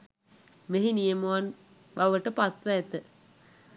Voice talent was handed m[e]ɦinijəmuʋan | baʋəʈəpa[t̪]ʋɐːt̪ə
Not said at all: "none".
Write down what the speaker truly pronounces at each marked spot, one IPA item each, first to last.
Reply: e, t̪

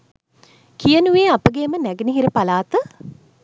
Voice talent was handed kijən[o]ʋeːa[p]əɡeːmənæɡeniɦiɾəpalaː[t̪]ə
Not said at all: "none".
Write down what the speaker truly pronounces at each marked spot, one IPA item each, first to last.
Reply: u, p, t̪

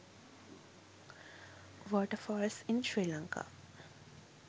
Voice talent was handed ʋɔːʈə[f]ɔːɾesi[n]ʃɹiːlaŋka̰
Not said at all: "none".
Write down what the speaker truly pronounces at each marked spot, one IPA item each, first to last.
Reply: f, n

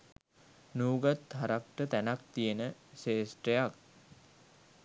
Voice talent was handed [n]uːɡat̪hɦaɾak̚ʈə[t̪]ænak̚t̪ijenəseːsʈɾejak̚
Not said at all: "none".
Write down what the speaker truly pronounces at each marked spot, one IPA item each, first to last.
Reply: n, t̪

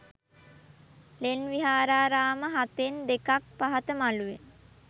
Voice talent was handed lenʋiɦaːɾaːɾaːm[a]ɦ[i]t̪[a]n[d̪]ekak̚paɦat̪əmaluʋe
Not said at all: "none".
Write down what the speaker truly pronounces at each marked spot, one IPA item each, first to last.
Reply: ə, a, e, d̪

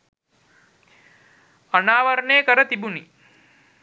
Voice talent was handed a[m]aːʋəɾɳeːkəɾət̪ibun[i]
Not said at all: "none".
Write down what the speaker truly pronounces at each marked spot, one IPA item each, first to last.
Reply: n, i

